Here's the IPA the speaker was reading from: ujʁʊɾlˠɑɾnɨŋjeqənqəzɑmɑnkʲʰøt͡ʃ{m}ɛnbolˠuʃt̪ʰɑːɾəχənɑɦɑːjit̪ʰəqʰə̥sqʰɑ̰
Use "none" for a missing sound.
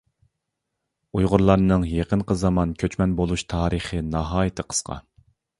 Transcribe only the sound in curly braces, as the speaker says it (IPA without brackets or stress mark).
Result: m